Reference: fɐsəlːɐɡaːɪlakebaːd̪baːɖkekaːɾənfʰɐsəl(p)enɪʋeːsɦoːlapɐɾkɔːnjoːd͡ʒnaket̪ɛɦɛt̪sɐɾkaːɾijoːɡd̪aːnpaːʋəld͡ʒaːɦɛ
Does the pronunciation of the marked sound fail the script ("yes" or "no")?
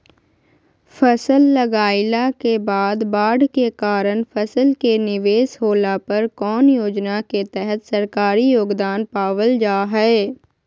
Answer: yes